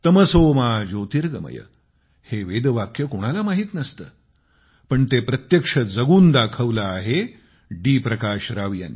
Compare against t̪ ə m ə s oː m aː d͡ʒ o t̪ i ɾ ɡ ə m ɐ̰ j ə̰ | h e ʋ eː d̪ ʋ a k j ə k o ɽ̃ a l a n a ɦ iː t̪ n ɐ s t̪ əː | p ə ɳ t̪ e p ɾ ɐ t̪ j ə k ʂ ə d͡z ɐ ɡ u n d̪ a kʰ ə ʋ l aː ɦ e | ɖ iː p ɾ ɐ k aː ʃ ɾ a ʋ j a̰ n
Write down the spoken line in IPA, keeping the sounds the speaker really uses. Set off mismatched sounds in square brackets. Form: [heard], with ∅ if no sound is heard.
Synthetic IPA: t̪ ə m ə s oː m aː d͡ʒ o t̪ i ɾ ɡ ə m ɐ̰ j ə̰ | h e ʋ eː d̪ ʋ a k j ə k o ɽ̃ a l a [m] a ɦ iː t̪ n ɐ s t̪ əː | p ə ɳ t̪ e p ɾ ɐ t̪ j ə k ʂ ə d͡z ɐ ɡ [uː] n d̪ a kʰ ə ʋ l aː ɦ e | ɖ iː p ɾ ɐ k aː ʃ ɾ a ʋ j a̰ n